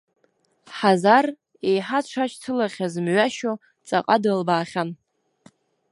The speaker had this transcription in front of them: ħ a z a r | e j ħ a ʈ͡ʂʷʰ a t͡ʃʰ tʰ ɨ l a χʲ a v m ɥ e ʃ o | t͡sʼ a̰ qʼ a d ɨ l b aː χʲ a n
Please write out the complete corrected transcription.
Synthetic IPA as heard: ħ a z a r | e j ħ a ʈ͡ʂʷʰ a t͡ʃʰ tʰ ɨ l a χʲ a z m ɥ a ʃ o | t͡sʼ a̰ qʼ a d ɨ l b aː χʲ a n